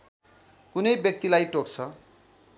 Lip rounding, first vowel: rounded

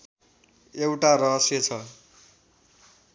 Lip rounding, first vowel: unrounded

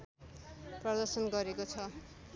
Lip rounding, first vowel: unrounded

